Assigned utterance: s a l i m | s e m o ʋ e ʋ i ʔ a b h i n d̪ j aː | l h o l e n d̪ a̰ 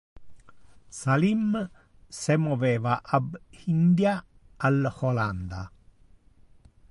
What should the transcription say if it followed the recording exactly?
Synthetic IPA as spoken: s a l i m | s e m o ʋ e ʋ a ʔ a b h i n d̪ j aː | l h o l a n d̪ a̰

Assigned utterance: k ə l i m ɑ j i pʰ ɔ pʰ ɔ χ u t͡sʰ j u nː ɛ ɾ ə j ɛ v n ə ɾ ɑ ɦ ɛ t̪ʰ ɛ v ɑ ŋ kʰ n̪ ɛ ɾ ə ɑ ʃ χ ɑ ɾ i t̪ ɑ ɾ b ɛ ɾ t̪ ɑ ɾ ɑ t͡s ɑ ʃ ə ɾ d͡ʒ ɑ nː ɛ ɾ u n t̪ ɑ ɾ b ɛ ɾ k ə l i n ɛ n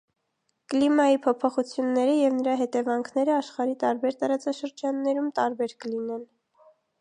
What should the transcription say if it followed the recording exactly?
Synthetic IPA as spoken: k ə l i m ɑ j i pʰ ɔ pʰ ɔ χ u t͡sʰ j u nː ɛ ɾ ə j ɛ v n ə ɾ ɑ ɦ ɛ t̪ ɛ v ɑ ŋ kʰ n̪ ɛ ɾ ə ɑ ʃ χ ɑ ɾ i t̪ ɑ ɾ b ɛ ɾ t̪ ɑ ɾ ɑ t͡s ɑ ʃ ə ɾ d͡ʒ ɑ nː ɛ ɾ u m t̪ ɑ ɾ b ɛ ɾ k ə l i n ɛ n

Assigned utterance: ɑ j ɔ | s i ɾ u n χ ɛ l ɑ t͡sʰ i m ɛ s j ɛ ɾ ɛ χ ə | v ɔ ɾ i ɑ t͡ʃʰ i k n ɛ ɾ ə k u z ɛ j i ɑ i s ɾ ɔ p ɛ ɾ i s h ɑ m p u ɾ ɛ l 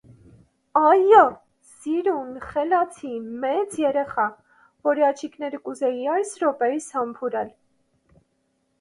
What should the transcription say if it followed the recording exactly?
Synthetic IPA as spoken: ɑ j ɔ | s i ɾ u n χ ɛ l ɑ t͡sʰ i m ɛ t͡s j ɛ ɾ ɛ χ ɑ | v ɔ ɾ i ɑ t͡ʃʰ i k n ɛ ɾ ə k u z ɛ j i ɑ j s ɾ ɔ p ɛ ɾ i s h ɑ m pʰ u ɾ ɛ l

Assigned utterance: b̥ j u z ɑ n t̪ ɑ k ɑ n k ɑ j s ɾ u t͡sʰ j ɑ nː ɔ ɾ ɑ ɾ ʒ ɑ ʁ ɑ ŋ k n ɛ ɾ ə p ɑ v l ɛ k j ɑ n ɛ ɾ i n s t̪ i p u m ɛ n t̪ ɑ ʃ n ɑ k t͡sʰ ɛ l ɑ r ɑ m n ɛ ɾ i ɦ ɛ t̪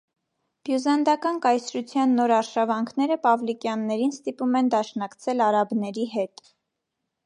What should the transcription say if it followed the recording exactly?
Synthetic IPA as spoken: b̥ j u z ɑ n d̪ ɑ k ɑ n k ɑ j s ɾ u t͡sʰ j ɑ nː ɔ ɾ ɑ ɾ ʃ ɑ v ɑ ŋ kʰ n ɛ ɾ ə p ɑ v l i k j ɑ nː ɛ ɾ i n s t̪ i p u m ɛ n d̪ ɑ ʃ n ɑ k t͡sʰ ɛ l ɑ ɾ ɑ b n ɛ ɾ i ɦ ɛ t̪

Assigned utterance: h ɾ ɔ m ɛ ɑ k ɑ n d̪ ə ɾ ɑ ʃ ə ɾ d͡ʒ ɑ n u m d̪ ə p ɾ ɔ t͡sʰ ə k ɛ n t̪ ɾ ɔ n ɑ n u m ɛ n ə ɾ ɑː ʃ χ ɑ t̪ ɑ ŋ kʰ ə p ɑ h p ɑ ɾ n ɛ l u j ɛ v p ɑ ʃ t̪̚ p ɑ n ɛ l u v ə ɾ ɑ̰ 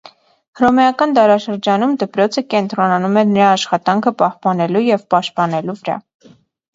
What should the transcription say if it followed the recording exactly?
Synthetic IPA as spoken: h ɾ ɔ m ɛ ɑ k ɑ n d̪ ɑ ɾ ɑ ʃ ə ɾ d͡ʒ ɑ n u m d̪ ə p ɾ ɔ t͡sʰ ə k ɛ n t̪ ɾ ɔ n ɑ n u m ɛ n ə ɾ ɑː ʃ χ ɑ t̪ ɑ ŋ kʰ ə p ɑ h p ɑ n ɛ l u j ɛ v p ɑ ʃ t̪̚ p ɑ n ɛ l u v ə ɾ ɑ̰

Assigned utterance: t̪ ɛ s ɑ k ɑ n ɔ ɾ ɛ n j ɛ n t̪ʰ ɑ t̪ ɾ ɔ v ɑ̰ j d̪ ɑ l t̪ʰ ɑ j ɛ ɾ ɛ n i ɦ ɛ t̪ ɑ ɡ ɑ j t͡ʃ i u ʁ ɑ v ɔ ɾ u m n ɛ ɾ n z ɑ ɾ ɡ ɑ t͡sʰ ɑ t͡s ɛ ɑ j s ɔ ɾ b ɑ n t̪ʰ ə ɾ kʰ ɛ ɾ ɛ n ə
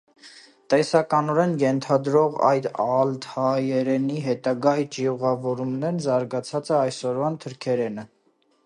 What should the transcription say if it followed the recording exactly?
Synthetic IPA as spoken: t̪ ɛ s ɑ k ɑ n ɔ ɾ ɛ n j ɛ n t̪ʰ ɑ d̪ ɾ ɔ ʁ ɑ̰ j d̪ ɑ l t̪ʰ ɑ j ɛ ɾ ɛ n i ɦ ɛ t̪ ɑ ɡ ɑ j t͡ʃ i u ʁ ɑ v ɔ ɾ u m n ɛ ɾ n z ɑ ɾ ɡ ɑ t͡sʰ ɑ t͡s ɛ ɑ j s ɔ ɾ v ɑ n t̪ʰ ə ɾ kʰ ɛ ɾ ɛ n ə

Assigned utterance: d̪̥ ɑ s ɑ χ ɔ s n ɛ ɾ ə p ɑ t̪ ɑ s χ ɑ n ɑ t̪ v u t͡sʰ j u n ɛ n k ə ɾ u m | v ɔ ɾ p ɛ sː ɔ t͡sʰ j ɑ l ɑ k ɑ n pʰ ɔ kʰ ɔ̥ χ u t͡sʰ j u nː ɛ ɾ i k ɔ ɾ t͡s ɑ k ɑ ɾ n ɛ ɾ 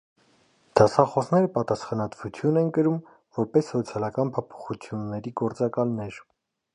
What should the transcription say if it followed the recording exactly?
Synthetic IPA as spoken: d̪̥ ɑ s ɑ χ ɔ s n ɛ ɾ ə p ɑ t̪ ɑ s χ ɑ n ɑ t̪ v u t͡sʰ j u n ɛ n k ə ɾ u m | v ɔ ɾ p ɛ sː ɔ t͡sʰ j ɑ l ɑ k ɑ n pʰ ɔ pʰ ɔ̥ χ u t͡sʰ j u nː ɛ ɾ i ɡ ɔ ɾ t͡s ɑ k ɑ l n ɛ ɾ

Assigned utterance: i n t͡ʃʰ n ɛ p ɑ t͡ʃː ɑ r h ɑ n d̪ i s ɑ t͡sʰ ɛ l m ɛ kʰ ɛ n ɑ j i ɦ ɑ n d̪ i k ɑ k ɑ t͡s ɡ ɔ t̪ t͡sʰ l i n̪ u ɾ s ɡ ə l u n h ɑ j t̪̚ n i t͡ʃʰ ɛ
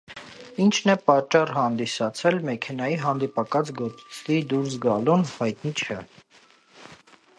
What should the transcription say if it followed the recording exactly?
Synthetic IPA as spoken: i n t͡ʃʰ n ɛ p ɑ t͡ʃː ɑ r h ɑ n d̪ i s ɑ t͡sʰ ɛ l m ɛ kʰ ɛ n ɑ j i ɦ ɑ n d̪ i p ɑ k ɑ t͡s ɡ ɔ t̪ t͡sʰ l i d̪ u ɾ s ɡ ɑ l u n h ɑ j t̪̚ n i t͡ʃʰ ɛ

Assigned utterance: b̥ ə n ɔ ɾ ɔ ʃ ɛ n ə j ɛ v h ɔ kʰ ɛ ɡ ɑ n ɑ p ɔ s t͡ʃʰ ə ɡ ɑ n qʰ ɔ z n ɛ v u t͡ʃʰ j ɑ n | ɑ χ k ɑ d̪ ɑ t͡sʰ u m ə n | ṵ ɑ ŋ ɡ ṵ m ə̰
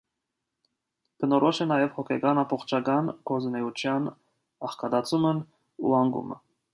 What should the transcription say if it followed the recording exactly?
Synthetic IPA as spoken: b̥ ə n ɔ ɾ ɔ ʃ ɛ n ɑ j ɛ v h ɔ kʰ ɛ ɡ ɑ n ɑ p ɔ χ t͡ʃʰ ɑ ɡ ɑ n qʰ ɔ z n ɛ u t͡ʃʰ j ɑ n | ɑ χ k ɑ d̪ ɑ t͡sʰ u m ə n | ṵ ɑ ŋ ɡ ṵ m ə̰

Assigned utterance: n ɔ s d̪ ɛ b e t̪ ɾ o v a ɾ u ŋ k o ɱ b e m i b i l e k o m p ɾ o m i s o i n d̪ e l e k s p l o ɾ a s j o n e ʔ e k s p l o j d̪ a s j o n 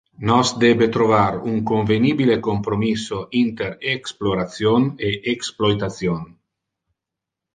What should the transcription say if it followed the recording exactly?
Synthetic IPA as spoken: n ɔ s d̪ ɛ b e t̪ ɾ o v a ɾ u ŋ k o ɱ v e n i b i l e k o m p ɾ o m i s o i n t̪ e ɾ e k s p l o ɾ a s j o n e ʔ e k s p l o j t̪ a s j o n

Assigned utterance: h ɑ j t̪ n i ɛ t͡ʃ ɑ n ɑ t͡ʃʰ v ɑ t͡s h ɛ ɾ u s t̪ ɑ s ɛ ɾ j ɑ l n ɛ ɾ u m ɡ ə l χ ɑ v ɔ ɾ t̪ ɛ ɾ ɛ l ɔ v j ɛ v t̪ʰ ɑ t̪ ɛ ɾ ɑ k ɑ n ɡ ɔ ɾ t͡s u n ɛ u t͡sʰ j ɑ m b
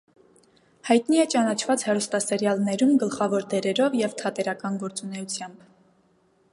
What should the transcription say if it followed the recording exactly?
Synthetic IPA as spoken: h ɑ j t̪ n i ɛ t͡ʃ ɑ n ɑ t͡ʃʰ v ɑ t͡s h ɛ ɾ u s t̪ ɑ s ɛ ɾ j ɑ l n ɛ ɾ u m ɡ ə l χ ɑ v ɔ ɾ d̪ ɛ ɾ ɛ ɾ ɔ v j ɛ v t̪ʰ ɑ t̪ ɛ ɾ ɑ k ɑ n ɡ ɔ ɾ t͡s u n ɛ u t͡sʰ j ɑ m b

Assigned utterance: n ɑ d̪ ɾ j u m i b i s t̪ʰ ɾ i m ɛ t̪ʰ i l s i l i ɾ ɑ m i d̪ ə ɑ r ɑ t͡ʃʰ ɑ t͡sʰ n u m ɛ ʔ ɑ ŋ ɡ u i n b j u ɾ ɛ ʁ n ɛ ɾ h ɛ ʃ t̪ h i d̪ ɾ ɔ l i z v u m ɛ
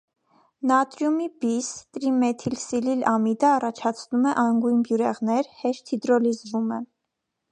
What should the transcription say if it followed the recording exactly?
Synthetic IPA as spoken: n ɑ t̪ ɾ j u m i b i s t̪ ɾ i m ɛ t̪ʰ i l s i l i l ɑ m i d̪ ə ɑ r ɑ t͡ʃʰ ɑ t͡sʰ n u m ɛ ʔ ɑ ŋ ɡ u j n b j u ɾ ɛ ʁ n ɛ ɾ h ɛ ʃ t̪ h i d̪ ɾ ɔ l i z v u m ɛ

